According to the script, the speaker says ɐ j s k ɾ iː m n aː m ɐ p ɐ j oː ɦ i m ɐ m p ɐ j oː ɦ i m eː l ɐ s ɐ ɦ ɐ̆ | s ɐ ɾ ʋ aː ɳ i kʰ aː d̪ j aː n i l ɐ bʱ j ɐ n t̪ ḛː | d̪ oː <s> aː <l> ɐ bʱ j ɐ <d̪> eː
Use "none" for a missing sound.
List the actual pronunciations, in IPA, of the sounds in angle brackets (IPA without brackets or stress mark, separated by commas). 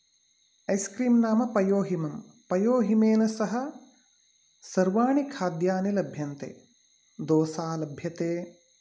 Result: s, l, t̪